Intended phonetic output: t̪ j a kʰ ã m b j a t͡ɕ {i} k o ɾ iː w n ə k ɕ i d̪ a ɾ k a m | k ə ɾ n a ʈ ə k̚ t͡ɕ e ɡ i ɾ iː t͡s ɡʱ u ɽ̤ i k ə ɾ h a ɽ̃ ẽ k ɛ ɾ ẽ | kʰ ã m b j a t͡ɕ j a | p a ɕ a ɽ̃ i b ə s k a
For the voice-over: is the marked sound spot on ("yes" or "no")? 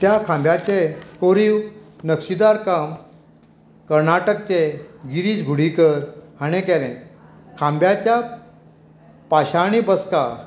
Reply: no